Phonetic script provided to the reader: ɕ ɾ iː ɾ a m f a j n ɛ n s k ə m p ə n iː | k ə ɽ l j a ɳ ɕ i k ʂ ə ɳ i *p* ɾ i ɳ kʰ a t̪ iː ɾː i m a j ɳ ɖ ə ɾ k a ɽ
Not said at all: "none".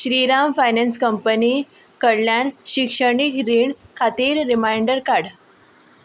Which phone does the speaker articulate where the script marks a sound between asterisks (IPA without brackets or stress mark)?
k